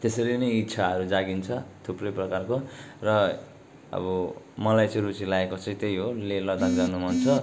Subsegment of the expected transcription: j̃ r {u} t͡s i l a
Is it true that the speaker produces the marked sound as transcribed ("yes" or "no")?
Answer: yes